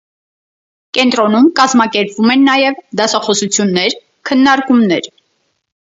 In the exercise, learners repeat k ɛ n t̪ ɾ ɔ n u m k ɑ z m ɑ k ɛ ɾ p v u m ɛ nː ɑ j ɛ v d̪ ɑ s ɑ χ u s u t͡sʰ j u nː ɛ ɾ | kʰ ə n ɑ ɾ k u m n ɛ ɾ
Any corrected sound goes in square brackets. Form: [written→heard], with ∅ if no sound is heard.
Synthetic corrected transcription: k ɛ n t̪ ɾ ɔ n u m k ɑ z m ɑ k ɛ ɾ p v u m ɛ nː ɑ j ɛ v d̪ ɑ s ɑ χ [u→ɔ] s u t͡sʰ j u nː ɛ ɾ | kʰ ə [n→nː] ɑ ɾ k u m n ɛ ɾ